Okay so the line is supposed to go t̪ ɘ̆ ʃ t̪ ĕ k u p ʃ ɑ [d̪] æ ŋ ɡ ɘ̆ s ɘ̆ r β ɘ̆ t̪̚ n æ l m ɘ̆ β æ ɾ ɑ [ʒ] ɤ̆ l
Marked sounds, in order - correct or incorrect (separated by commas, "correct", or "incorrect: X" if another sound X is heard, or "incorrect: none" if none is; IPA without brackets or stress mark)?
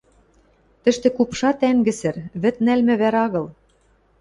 incorrect: t̪, incorrect: ɣ